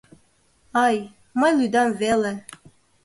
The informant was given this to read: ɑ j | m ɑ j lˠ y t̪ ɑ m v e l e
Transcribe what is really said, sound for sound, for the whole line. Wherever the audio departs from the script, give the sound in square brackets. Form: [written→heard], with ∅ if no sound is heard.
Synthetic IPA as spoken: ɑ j | m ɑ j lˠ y [t̪→d̪] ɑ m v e l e